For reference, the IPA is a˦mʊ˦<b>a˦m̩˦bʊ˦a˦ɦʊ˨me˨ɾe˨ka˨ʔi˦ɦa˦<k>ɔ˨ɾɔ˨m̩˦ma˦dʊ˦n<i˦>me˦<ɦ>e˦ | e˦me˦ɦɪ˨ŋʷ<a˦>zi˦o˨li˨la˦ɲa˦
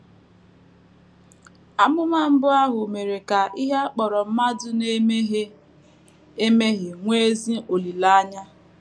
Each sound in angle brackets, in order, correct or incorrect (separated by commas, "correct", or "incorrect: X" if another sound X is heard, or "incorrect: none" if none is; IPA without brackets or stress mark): incorrect: m, incorrect: k͡p, incorrect: e˦, correct, incorrect: e˦